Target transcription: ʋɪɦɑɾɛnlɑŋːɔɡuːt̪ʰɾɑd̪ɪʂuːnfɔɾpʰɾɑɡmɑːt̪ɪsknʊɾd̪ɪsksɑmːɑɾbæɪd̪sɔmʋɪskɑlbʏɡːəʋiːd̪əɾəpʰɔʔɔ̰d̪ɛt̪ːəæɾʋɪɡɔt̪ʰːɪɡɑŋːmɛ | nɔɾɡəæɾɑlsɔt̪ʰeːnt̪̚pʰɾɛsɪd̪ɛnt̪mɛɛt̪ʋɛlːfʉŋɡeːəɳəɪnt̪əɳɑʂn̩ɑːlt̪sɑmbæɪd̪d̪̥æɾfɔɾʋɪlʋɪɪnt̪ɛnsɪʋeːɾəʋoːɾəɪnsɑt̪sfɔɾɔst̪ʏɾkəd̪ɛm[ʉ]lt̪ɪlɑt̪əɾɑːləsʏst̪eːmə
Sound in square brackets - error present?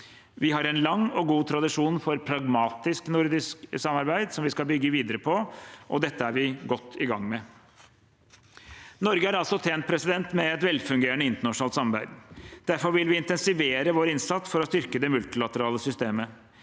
no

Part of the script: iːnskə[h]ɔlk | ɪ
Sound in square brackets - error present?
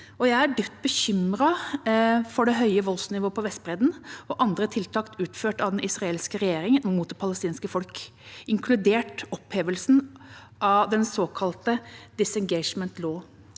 yes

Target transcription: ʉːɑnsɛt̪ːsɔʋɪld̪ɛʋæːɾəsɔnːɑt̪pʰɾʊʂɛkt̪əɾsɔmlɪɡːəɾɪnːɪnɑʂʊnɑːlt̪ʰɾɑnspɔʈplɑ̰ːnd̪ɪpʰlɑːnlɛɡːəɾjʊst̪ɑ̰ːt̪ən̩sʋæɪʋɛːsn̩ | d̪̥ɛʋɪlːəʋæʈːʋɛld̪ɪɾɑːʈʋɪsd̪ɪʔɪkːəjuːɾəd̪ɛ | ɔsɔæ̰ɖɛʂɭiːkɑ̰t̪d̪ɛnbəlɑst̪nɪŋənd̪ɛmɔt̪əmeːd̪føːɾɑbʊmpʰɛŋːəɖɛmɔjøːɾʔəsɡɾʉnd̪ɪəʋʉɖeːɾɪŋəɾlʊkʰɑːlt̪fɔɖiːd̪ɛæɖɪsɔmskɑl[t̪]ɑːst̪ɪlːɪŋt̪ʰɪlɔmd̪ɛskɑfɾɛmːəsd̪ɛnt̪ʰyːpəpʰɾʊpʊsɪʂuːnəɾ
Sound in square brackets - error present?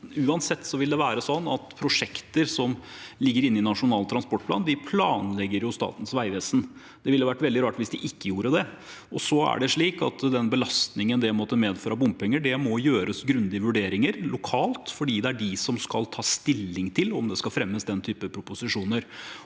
yes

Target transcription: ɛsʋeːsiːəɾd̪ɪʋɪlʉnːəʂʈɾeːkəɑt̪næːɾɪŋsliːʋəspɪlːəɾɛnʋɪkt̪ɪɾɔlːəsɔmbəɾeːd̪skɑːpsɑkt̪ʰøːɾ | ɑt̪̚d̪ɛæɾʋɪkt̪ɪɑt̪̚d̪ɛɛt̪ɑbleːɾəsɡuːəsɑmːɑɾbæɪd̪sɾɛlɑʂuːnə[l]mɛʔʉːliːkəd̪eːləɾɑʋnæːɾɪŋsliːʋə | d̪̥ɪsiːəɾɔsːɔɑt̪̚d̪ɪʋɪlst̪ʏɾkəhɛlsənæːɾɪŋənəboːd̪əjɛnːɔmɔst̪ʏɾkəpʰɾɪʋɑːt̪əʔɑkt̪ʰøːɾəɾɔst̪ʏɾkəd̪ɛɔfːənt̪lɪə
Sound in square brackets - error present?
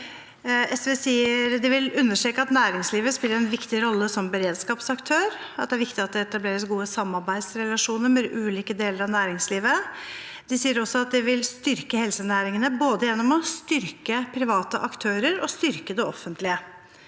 yes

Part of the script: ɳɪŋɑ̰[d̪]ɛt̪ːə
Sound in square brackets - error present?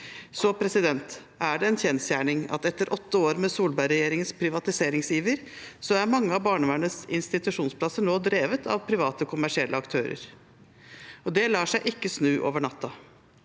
yes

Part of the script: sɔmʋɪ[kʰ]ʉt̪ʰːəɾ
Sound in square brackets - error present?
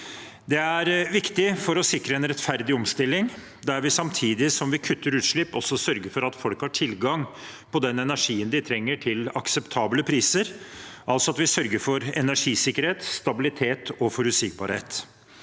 no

